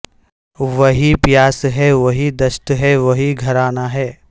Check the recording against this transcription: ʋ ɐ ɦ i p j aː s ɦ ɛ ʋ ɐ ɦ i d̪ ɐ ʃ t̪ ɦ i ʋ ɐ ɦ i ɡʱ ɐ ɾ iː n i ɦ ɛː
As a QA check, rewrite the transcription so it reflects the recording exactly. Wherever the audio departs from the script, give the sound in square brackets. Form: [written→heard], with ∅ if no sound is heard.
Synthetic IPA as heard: ʋ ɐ ɦ i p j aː s ɦ ɛ ʋ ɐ ɦ i d̪ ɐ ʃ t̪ ɦ [i→ɛ] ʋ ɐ ɦ i ɡʱ ɐ ɾ [iː→aː] n [i→a] ɦ ɛː